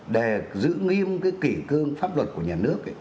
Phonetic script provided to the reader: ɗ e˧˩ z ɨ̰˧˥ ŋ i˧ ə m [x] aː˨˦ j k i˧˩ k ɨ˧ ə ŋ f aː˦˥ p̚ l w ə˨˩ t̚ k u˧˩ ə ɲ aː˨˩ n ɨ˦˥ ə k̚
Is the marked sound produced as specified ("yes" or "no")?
no